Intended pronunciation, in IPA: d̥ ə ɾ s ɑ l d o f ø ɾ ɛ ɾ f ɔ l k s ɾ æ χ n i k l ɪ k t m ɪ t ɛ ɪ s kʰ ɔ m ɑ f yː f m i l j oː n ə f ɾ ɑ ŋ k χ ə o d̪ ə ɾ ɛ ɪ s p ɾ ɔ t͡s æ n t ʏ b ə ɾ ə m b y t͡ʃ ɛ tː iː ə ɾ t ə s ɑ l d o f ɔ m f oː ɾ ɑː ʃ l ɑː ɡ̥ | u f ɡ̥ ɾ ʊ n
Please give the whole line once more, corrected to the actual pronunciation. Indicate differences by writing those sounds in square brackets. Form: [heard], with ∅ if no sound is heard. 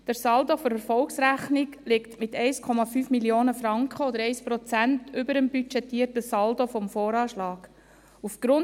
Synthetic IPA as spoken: d̥ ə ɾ s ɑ l d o f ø ɾ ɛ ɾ f ɔ l k s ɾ æ χ n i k l ɪ k t m ɪ t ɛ ɪ s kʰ ɔ m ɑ f yː f m i l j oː n ə f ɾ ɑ ŋ k χ ə o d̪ ə ɾ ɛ ɪ s p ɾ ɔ t͡s æ n t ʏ b ə ɾ ə m b y t͡ʃ ɛ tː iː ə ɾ t ə s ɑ l d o f ɔ m f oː ɾ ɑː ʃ l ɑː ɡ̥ | u f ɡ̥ ɾ ʊ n